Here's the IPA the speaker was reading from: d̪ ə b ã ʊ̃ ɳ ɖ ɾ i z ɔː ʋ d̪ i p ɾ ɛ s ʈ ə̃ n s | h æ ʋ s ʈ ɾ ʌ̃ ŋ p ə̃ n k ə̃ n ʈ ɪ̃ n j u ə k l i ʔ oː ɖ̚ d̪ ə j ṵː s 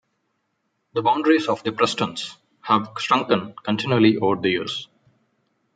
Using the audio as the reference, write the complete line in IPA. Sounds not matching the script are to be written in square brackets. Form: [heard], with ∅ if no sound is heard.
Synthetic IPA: d̪ ə b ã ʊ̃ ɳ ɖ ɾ i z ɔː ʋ d̪ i p ɾ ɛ s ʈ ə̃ n s | h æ ʋ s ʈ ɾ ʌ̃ ŋ [k] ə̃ n k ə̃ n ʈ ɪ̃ n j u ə [∅] l i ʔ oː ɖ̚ d̪ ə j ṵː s

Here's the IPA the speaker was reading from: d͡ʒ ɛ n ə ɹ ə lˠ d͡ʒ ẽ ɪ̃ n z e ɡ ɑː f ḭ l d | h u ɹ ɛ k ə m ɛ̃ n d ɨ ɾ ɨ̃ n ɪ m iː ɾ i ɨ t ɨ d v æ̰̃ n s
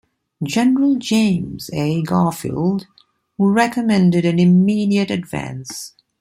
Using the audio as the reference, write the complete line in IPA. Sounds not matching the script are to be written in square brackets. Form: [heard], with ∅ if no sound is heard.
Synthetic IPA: d͡ʒ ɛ n ə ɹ ə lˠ d͡ʒ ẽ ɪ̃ [m] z e ɡ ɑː f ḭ l d | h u ɹ ɛ k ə m ɛ̃ n d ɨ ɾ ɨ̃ n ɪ m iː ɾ i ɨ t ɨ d v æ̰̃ n s

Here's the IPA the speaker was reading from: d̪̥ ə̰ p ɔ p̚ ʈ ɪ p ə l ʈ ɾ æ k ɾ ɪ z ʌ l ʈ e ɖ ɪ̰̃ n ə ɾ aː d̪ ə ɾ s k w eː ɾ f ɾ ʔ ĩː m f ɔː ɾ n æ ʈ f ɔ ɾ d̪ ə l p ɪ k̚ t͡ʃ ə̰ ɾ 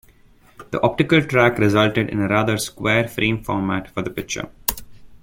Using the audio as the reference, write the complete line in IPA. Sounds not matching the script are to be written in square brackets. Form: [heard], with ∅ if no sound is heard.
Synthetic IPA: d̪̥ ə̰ [ʔ] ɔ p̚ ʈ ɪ [k] ə l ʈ ɾ æ k ɾ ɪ z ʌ l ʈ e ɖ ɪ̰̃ n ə ɾ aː d̪ ə ɾ s k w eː ɾ f ɾ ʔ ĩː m f ɔː ɾ [m] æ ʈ f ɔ ɾ d̪ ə [∅] p ɪ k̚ t͡ʃ ə̰ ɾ

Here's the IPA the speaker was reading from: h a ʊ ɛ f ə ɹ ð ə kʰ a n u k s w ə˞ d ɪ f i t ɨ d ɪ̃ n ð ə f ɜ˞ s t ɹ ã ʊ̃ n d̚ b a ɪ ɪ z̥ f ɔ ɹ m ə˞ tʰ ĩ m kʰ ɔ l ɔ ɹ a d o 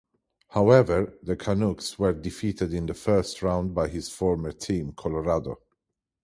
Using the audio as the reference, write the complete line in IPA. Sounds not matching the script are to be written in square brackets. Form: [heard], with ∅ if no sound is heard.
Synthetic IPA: h a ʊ ɛ [v] ə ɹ ð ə kʰ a n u k s w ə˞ d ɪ f i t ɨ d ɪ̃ n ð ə f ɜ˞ s t ɹ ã ʊ̃ n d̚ b a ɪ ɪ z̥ f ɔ ɹ m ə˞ tʰ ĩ m kʰ ɔ l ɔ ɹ a d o

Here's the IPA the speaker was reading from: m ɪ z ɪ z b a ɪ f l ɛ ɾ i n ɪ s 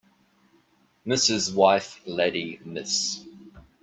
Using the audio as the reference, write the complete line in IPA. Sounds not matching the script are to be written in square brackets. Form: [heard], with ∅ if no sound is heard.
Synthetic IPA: m ɪ [s] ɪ z [w] a ɪ f l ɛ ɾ i [m] ɪ s

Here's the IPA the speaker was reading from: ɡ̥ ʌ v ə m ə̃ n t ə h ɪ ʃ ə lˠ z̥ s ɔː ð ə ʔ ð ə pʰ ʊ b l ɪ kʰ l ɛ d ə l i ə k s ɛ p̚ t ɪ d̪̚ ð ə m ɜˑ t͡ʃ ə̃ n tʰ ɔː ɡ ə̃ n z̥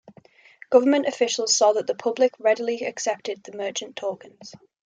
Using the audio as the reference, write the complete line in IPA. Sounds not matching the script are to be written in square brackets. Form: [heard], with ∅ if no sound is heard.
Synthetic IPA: ɡ̥ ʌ v ə m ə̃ n t ə [f] ɪ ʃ ə lˠ z̥ s ɔː ð ə ʔ ð ə pʰ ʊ b l ɪ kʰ [ɹ] ɛ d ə l i ə k s ɛ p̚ t ɪ d̪̚ ð ə m ɜˑ t͡ʃ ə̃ n tʰ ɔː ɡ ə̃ n z̥

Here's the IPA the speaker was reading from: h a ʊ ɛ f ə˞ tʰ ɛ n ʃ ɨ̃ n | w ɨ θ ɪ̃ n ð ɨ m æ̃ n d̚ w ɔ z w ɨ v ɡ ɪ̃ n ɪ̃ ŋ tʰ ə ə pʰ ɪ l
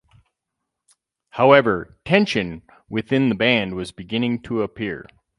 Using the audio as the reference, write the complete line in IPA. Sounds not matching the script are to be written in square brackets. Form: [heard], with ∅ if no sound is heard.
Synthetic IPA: h a ʊ ɛ [v] ə˞ tʰ [ɛ̃] n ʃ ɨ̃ n | w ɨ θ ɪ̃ n ð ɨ [b] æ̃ n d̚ w [ʌ] z [b] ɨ [∅] ɡ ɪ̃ n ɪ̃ ŋ tʰ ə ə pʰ ɪ [ɹ]

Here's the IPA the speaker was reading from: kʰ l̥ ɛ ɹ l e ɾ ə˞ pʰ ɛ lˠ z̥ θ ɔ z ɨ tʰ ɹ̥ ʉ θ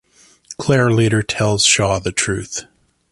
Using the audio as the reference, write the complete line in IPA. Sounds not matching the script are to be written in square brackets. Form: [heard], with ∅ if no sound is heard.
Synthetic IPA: kʰ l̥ ɛ ɹ l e ɾ ə˞ [tʰ] ɛ lˠ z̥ [ʃ] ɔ [ð] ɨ tʰ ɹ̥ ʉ θ

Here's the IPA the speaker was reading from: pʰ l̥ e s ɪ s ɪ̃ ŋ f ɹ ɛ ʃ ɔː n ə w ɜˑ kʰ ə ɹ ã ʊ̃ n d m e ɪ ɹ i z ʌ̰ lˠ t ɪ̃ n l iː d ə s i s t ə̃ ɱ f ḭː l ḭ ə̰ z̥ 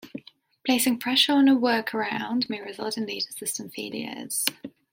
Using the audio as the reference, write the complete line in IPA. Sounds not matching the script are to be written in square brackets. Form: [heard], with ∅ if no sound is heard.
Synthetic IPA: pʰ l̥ e [∅] ɪ s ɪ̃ ŋ f ɹ ɛ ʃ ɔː n ə w ɜˑ kʰ ə ɹ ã ʊ̃ n d m e ɪ ɹ [ɪ] z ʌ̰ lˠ t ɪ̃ n l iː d ə s [ɪ] s t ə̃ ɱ f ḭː l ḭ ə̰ z̥

